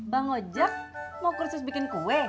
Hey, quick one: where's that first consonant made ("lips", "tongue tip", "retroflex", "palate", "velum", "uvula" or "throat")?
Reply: lips